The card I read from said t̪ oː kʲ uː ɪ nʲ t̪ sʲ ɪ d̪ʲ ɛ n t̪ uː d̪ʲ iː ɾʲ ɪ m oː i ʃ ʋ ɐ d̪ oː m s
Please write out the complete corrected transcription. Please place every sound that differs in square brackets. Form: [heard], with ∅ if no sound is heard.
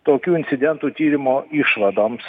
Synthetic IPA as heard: t̪ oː kʲ uː ɪ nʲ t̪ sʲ ɪ d̪ʲ ɛ n t̪ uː [t̪ʲ] iː ɾʲ ɪ m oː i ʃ ʋ ɐ d̪ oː m s